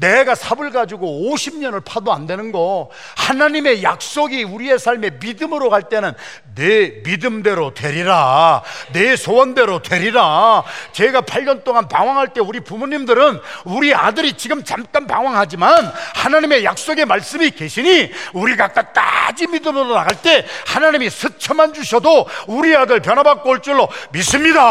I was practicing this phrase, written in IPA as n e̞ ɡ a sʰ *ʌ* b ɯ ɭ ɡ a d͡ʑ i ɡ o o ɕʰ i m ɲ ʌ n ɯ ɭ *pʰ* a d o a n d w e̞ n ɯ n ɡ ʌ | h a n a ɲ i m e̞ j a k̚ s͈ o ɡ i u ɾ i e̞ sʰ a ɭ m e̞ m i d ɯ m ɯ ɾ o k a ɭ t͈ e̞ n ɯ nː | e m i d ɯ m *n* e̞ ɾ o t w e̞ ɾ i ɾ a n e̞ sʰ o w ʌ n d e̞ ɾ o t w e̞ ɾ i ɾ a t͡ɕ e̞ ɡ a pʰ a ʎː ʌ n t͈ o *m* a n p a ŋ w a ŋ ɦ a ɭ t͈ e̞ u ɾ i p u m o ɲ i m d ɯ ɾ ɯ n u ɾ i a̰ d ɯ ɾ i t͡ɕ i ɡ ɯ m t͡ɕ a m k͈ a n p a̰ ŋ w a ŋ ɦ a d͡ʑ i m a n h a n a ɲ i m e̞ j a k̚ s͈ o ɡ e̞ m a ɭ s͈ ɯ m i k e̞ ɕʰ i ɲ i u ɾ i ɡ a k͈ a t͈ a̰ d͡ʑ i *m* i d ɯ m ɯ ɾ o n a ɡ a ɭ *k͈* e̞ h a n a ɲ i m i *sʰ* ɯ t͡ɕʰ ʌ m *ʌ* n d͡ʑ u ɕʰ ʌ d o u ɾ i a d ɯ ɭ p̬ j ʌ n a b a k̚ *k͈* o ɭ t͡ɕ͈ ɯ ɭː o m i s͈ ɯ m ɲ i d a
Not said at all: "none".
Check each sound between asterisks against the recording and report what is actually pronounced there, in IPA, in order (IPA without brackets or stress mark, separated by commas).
a, pʰ, d, ŋ, m, t͈, sʰ, a, k͈